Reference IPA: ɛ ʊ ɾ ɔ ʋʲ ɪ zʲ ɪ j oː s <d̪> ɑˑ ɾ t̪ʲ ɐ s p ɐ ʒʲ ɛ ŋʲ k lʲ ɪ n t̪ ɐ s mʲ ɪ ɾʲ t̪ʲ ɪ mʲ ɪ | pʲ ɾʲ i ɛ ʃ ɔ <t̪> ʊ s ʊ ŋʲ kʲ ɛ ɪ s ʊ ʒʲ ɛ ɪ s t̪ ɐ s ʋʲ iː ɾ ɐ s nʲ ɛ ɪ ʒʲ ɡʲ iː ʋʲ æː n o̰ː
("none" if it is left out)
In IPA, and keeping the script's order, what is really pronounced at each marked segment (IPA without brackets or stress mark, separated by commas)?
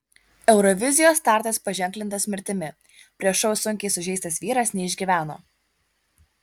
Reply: t̪, none